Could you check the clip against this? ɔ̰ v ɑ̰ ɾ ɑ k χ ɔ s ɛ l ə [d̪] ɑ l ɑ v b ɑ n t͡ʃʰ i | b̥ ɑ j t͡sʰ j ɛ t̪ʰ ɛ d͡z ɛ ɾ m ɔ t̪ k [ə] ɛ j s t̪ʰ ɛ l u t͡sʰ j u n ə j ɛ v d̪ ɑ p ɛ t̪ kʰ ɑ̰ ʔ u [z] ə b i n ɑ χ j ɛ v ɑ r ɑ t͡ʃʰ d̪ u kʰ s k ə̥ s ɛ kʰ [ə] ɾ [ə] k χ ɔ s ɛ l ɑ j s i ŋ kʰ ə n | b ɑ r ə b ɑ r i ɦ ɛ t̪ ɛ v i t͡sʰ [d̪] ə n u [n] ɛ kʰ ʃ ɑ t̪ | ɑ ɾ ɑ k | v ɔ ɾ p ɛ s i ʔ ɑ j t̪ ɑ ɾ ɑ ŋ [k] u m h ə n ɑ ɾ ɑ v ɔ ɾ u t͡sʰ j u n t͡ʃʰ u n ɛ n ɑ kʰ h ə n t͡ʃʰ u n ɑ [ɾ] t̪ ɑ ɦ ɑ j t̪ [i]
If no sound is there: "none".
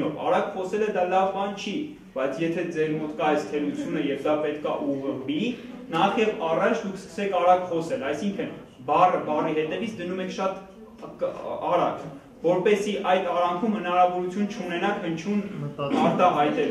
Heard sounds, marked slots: d̪, ɑ, ʁ, ɑ, ɑ, d̪, m, kʰ, ɾ, ɛ

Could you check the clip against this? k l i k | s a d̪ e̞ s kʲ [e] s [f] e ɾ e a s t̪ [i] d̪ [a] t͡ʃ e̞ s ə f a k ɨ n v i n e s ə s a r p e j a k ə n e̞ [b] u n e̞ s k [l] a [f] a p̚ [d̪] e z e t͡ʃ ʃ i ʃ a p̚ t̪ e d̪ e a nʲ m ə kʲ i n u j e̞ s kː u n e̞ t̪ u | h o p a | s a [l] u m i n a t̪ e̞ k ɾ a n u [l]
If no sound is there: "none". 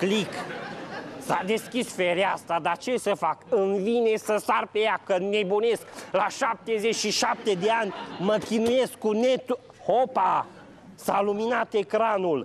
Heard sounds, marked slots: i, f, a, a, b, l, ʃ, t̪, l, l

